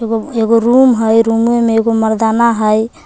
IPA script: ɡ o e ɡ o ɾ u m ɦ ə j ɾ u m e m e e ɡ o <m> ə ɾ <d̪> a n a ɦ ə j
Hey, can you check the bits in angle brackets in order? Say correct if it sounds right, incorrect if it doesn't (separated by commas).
correct, correct